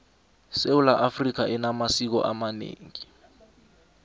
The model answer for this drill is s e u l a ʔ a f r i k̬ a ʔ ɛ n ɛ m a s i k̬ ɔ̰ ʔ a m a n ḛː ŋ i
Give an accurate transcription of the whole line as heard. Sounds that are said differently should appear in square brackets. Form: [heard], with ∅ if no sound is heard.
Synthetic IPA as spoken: s e u l a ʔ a f r i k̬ a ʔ ɛ n [a] m a s i k̬ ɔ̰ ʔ a m a n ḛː ŋ i